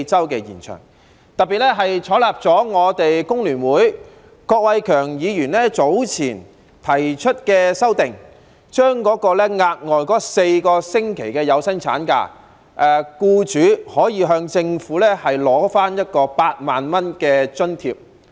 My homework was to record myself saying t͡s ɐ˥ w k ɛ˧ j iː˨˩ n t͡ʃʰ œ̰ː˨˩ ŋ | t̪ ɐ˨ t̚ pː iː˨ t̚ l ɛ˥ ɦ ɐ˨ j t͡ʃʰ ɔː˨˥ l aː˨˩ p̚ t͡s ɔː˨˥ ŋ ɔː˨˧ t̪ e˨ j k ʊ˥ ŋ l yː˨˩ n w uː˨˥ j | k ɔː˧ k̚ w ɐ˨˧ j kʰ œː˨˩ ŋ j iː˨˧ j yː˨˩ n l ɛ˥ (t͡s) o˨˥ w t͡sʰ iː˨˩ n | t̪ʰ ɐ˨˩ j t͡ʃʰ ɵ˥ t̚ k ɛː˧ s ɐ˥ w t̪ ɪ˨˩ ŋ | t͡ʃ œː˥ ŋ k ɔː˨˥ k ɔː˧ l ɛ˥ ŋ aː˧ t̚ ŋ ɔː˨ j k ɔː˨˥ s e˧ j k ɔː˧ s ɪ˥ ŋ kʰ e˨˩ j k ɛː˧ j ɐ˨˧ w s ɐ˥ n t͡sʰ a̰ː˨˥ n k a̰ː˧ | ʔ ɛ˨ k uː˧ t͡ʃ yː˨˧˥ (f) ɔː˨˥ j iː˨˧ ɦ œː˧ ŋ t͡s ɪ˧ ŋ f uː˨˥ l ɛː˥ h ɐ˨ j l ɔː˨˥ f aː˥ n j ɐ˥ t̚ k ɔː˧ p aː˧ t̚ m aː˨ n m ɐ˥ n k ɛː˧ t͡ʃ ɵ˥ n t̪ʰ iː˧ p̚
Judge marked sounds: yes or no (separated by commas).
yes, no